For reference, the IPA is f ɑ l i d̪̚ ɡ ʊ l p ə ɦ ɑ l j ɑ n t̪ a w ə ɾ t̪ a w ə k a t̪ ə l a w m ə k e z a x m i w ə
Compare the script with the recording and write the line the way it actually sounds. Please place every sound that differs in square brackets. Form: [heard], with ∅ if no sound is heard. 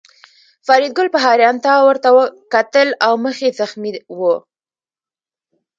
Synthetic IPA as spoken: f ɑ [ɾ] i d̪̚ ɡ ʊ l p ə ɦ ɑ [ɾ] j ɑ n t̪ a w ə ɾ t̪ a w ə k a t̪ ə l a w m ə [x] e z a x m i w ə